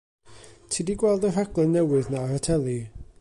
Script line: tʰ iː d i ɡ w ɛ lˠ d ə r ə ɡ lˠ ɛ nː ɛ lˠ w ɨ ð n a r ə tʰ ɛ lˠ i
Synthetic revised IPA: tʰ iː d i ɡ w ɛ lˠ d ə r a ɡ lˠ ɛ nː ɛ w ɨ ð n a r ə tʰ ɛ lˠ i